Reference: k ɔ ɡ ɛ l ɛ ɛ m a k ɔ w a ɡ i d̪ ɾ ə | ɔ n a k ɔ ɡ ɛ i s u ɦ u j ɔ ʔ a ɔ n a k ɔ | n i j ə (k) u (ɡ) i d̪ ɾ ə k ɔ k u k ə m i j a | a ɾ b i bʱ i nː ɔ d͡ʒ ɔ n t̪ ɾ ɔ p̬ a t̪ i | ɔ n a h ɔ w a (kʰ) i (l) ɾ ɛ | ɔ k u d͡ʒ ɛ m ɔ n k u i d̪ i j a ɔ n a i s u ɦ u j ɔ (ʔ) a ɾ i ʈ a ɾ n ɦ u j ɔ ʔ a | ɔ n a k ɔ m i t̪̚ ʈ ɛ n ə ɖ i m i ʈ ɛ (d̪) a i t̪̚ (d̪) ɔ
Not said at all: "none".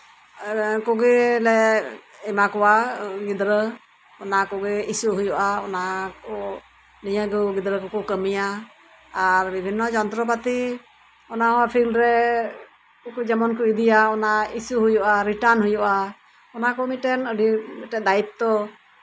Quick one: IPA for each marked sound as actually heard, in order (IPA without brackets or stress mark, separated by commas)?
ɡ, ɡ, pʰ, l, ʔ, d̪, t̪